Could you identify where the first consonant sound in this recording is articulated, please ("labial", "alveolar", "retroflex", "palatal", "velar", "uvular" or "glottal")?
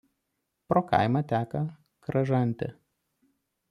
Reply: labial